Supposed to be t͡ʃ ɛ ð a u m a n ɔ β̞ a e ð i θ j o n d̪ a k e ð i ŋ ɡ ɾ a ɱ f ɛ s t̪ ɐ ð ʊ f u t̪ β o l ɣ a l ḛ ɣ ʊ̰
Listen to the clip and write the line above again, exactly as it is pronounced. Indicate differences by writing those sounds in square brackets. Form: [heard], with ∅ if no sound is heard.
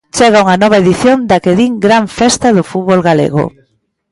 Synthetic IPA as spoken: t͡ʃ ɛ [ɣ] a u [ŋ] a n ɔ β̞ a e ð i θ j o n d̪ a k e ð i ŋ ɡ ɾ a ɱ f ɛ s t̪ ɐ ð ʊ f u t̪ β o l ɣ a l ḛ ɣ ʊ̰

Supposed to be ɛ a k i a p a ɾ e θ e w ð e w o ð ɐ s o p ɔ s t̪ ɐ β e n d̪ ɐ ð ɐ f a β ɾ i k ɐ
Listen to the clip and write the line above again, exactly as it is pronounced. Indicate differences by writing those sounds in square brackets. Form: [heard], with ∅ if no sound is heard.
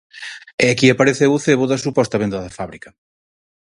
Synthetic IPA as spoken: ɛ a k i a p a ɾ e θ e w [θ] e [β] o ð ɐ s [u] p ɔ s t̪ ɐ β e n d̪ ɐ ð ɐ f a β ɾ i k ɐ

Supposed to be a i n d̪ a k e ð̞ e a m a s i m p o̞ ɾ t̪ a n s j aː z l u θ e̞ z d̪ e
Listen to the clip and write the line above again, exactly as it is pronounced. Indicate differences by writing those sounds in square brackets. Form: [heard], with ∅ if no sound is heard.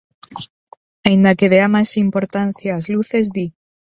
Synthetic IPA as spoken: a i n d̪ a k e ð̞ e a m a s i m p o̞ ɾ t̪ a n [θ] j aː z l u θ e̞ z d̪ [i]

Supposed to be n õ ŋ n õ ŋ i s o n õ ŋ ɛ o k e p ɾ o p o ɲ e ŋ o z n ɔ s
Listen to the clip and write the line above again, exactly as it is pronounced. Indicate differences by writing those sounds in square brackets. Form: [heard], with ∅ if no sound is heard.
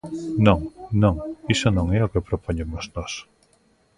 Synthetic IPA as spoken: n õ ŋ n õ ŋ i s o n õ ŋ ɛ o k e p ɾ o p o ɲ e [m] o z n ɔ s

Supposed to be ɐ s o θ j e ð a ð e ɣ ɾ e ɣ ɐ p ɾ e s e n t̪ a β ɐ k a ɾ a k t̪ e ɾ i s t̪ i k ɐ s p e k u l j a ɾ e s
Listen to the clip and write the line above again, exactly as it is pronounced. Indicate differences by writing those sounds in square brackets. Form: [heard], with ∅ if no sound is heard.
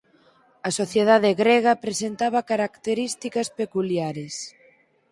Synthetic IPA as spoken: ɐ s o θ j e ð a ð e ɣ ɾ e ɣ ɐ p ɾ e s e n t̪ a β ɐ k a ɾ a k t̪ e ɾ i s t̪ i k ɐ s p e k u l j a ɾ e s

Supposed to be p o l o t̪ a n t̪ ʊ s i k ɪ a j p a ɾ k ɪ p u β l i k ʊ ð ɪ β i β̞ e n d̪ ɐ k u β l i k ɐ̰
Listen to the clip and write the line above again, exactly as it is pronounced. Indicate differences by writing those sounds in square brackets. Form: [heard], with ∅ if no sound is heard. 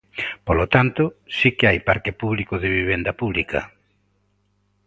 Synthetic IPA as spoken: p o l o t̪ a n t̪ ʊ s i k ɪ a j p a ɾ k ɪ p u β l i k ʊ ð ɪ β i β̞ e n d̪ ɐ [p] u β l i k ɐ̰

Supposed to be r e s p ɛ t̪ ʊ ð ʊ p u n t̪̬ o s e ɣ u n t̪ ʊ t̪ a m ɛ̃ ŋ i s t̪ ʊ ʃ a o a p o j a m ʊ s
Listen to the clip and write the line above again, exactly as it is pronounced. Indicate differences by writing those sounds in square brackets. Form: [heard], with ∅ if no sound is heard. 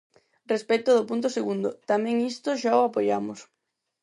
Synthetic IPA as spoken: r e s p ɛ t̪ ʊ ð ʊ p u n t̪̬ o s e ɣ u n [d̪] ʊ t̪ a m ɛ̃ ŋ i s t̪ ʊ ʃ a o a p o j a m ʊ s

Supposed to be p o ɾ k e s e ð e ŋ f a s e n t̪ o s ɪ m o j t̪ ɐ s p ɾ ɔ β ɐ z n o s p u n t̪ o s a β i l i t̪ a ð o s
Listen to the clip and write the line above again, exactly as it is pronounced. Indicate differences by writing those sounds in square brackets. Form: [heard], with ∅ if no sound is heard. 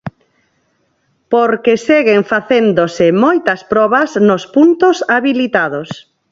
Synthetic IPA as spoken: p o ɾ k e s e [ɣ] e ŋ f a [θ] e n [d̪] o s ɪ m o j t̪ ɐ s p ɾ ɔ β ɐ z n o s p u n t̪ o s a β i l i t̪ a ð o s

